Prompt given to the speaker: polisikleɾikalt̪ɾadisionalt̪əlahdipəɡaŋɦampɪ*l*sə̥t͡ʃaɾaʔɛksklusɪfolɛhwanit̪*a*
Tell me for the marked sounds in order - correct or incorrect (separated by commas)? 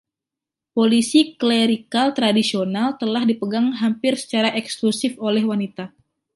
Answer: incorrect, correct